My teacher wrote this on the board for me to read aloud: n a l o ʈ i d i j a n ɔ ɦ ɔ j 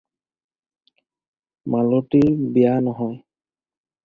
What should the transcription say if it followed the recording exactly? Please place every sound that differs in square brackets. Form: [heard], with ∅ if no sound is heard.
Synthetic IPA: [m] a l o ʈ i [b] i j a n ɔ ɦ ɔ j